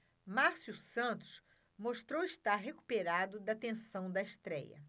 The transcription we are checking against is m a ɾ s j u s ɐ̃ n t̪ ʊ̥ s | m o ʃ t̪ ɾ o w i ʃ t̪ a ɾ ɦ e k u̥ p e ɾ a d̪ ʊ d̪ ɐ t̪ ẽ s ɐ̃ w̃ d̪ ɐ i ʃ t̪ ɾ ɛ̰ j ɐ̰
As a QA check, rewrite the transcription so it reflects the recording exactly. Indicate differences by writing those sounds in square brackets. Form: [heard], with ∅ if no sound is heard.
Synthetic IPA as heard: m a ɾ s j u s ɐ̃ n t̪ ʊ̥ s | m o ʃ t̪ ɾ o w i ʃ t̪ a ɾ ɦ e k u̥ p e ɾ a d̪ ʊ d̪ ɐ t̪ ẽ s ɐ̃ w̃ d̪ ɐ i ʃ t̪ ɾ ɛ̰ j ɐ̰